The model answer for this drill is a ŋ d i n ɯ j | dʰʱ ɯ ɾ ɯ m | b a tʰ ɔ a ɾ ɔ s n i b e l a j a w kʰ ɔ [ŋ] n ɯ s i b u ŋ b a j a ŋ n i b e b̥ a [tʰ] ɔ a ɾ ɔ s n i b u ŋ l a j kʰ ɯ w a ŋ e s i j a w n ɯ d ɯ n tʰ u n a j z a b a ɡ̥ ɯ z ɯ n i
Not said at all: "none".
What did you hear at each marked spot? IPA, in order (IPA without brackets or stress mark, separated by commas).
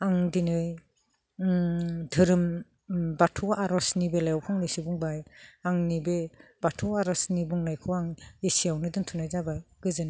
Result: ŋ, tʰ